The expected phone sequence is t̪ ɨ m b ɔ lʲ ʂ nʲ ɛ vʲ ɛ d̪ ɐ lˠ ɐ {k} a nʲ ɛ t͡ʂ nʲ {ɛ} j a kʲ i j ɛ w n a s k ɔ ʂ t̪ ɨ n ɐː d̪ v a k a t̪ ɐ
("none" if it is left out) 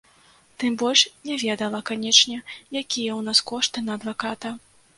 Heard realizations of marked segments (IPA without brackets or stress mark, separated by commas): k, ɛ